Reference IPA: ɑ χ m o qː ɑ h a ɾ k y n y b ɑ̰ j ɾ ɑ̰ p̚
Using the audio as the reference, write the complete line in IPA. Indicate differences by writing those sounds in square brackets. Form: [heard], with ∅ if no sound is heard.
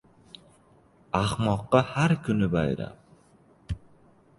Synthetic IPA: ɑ χ m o qː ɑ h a ɾ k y n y b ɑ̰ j ɾ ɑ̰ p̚